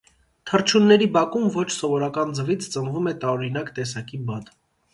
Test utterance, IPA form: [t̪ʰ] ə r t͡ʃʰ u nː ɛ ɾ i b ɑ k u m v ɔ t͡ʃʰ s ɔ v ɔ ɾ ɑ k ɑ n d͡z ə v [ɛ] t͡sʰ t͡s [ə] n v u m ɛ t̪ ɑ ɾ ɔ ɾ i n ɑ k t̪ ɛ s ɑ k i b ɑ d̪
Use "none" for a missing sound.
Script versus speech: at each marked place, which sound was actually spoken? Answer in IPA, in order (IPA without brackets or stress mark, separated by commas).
t̪ʰ, i, ə